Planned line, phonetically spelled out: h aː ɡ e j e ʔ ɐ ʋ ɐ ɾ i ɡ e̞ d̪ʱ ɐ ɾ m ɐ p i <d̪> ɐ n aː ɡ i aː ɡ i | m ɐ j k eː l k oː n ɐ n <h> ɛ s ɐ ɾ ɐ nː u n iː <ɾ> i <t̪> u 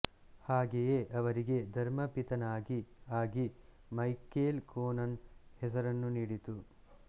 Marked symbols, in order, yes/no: no, yes, no, yes

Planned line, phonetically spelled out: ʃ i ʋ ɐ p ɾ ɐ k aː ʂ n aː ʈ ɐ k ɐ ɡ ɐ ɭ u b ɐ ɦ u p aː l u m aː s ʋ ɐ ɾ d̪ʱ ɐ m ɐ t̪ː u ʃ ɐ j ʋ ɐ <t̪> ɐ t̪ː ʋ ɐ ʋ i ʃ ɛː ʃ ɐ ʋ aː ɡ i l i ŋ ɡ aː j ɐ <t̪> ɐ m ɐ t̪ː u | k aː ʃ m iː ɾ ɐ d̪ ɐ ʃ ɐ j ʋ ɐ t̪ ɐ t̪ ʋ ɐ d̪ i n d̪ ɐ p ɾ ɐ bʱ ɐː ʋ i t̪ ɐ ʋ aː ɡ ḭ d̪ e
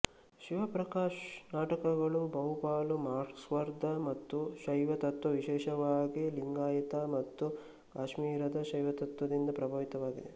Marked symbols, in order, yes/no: yes, yes

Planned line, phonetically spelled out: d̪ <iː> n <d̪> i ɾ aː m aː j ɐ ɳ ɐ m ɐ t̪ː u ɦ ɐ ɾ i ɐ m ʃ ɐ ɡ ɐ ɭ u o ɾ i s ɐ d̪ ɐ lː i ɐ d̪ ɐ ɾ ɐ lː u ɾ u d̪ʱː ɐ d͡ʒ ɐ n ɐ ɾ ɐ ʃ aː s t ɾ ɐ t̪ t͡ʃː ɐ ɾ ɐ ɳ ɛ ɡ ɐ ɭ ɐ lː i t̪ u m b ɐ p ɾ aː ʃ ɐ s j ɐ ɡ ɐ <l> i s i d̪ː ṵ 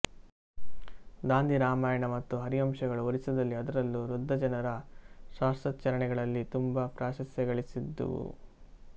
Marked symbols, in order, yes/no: no, yes, no

